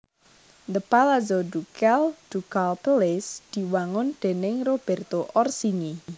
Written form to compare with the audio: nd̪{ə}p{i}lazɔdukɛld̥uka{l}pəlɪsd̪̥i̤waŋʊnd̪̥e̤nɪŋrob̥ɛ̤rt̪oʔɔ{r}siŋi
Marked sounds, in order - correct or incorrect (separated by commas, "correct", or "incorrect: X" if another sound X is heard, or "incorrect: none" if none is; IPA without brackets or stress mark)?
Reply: correct, incorrect: a, correct, correct